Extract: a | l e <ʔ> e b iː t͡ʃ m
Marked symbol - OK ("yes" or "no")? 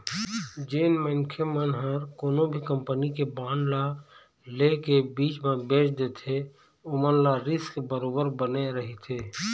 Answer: no